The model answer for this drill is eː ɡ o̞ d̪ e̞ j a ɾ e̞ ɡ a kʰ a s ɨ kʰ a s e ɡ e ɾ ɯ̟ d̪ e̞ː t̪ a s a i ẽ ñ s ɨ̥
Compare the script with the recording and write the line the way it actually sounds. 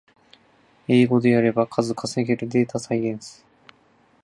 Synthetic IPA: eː ɡ o̞ d̪ e̞ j a ɾ e̞ b a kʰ a z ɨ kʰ a s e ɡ e ɾ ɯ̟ d̪ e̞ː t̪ a s a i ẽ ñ s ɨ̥